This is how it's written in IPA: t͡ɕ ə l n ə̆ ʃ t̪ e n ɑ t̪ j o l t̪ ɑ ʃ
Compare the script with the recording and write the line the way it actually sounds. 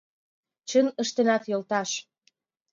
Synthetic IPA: t͡ɕ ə n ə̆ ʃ t̪ e n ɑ t̪ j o l t̪ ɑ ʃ